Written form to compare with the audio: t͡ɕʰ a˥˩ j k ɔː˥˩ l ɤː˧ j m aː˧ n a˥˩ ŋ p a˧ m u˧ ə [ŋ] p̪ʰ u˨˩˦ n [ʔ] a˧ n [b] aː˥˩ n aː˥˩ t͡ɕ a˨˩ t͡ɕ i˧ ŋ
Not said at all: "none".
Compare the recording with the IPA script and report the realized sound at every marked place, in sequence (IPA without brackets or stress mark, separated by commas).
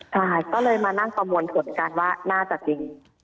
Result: n, k, w